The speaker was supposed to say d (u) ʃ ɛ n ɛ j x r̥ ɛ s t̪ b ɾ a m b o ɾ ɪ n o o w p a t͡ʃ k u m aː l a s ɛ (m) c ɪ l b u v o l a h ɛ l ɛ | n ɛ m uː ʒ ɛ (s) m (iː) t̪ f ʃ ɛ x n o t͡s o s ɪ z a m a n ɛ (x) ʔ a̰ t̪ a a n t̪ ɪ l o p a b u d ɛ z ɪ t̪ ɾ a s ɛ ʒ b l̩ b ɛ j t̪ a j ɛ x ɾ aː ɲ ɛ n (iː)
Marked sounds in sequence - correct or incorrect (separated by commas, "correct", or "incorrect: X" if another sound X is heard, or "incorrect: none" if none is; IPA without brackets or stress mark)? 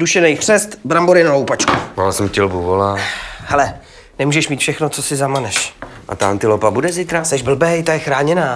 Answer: correct, correct, incorrect: ʃ, correct, incorrect: ʃ, incorrect: aː